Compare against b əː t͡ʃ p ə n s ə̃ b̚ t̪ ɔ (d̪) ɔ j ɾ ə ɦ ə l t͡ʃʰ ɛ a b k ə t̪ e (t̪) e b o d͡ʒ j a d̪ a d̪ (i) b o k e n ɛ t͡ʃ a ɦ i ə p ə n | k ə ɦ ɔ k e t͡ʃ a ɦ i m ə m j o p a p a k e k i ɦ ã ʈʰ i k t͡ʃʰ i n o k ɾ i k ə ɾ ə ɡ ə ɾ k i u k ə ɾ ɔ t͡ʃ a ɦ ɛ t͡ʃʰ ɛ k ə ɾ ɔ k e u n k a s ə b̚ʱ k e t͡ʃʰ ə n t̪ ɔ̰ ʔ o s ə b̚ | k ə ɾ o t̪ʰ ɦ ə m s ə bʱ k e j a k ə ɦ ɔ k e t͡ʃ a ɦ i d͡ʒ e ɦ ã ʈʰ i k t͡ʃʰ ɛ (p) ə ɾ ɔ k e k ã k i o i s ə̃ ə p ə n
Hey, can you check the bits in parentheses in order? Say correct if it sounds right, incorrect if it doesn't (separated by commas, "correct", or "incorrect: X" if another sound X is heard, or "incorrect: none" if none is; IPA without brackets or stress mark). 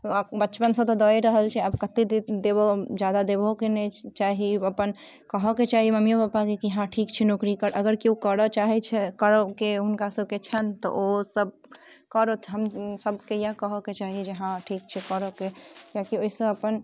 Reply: correct, incorrect: d̪, incorrect: e, incorrect: k